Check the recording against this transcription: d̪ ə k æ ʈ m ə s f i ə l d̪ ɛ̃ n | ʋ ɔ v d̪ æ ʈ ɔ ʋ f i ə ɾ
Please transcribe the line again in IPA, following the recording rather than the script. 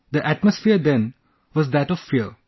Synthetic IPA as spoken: d̪ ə ʔ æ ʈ m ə s f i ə ɾ d̪ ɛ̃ n | ʋ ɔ z d̪ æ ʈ ɔ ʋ f i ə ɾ